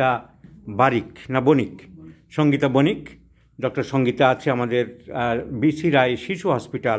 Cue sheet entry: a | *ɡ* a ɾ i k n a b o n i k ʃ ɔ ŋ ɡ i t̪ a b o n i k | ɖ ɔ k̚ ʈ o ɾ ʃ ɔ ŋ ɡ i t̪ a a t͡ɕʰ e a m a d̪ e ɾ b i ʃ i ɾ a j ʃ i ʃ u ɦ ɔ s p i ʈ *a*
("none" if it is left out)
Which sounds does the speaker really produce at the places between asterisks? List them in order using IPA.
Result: b, a

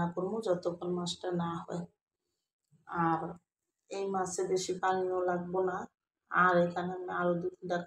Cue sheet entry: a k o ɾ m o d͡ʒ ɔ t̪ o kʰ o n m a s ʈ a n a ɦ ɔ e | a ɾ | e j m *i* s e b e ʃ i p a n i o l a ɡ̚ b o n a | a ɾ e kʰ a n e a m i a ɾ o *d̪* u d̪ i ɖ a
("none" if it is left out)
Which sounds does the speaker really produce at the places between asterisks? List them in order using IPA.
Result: a, d̪

